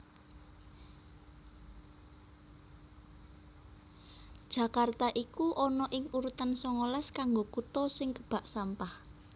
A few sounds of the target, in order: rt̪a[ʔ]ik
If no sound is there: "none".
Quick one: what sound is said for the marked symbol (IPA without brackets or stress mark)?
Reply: ʔ